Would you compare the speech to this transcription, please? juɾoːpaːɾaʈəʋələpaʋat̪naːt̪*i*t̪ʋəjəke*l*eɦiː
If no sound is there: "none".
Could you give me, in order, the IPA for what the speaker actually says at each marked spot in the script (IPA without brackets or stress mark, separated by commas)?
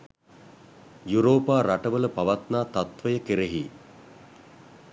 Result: a, ɾ